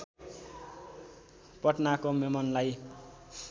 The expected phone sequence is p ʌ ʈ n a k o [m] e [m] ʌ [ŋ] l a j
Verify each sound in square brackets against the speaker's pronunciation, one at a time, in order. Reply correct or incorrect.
correct, correct, incorrect

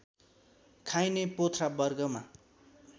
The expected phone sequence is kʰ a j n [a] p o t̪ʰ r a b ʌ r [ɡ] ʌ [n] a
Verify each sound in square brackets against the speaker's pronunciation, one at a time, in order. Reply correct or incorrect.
incorrect, correct, incorrect

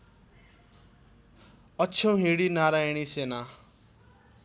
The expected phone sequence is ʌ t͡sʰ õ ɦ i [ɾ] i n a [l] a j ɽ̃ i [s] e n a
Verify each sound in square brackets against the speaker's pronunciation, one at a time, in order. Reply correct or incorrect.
incorrect, incorrect, correct

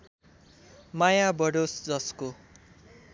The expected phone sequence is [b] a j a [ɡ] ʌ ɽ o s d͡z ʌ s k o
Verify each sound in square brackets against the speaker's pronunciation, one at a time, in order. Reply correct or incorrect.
incorrect, incorrect

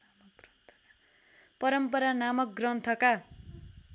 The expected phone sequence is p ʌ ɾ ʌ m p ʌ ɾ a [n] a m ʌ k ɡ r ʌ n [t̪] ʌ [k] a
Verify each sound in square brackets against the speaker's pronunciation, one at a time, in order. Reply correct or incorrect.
correct, incorrect, correct

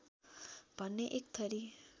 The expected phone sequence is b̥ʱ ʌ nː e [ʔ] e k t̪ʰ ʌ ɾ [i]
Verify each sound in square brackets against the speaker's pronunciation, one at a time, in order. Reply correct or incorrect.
correct, correct

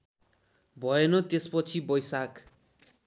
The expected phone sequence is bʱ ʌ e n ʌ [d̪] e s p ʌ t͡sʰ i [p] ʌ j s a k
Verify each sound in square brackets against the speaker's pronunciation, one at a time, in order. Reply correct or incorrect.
incorrect, incorrect

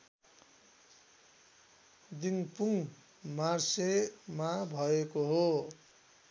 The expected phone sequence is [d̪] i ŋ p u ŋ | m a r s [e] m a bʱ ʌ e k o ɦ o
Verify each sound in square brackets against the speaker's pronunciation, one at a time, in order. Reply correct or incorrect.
correct, correct

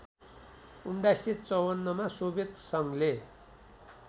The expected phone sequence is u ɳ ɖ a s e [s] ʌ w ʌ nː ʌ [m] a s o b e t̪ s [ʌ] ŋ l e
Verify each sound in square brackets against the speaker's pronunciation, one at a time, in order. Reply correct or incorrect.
incorrect, correct, correct

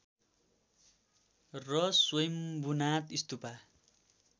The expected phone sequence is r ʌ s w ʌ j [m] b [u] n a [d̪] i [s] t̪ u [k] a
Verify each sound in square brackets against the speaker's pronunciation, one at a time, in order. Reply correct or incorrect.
correct, correct, incorrect, correct, incorrect

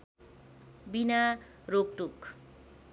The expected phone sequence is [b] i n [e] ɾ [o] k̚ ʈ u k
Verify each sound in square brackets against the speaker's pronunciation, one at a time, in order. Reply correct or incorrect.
correct, incorrect, correct

